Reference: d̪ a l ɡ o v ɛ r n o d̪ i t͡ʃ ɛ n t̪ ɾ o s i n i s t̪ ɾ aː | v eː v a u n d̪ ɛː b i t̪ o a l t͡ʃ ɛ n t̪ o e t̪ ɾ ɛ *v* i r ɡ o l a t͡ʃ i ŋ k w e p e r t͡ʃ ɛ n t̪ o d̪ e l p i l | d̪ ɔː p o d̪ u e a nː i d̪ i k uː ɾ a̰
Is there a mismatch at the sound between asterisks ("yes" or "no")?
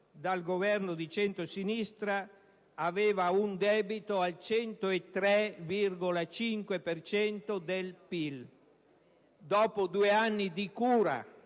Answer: no